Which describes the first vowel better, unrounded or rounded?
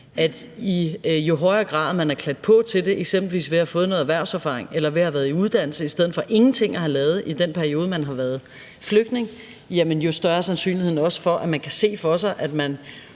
unrounded